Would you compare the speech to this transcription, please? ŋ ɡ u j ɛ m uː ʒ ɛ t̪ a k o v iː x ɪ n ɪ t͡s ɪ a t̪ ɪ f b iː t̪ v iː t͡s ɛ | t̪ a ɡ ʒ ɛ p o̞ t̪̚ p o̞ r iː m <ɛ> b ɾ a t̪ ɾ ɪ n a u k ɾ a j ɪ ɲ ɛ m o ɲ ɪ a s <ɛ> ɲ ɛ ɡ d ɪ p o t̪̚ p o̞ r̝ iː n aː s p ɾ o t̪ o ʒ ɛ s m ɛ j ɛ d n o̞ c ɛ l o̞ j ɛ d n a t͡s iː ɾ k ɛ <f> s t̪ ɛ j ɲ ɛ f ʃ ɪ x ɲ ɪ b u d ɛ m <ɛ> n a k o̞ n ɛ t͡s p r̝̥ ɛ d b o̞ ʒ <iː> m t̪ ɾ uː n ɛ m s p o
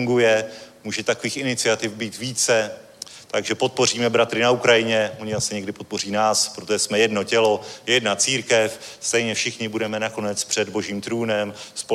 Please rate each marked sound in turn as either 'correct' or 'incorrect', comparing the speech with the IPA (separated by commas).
correct, correct, correct, correct, correct